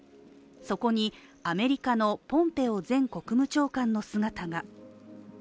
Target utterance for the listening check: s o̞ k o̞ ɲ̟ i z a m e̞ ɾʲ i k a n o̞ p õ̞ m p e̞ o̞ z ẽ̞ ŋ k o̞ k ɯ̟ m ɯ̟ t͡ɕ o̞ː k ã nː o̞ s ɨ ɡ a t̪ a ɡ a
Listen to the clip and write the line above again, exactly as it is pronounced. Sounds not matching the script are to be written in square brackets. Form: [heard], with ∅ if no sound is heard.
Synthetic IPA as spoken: s o̞ k o̞ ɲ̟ i [∅] a m e̞ ɾʲ i k a n o̞ p õ̞ m p e̞ o̞ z ẽ̞ ŋ k o̞ k ɯ̟ m ɯ̟ t͡ɕ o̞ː k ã nː o̞ s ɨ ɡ a t̪ a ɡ a